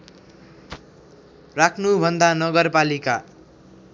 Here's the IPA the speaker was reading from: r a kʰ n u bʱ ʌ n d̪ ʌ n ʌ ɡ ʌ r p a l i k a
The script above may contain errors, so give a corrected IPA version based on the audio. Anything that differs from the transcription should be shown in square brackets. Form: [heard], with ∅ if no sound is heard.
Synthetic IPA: r a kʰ n u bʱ ʌ n d̪ [a] n ʌ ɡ ʌ r p a l i k a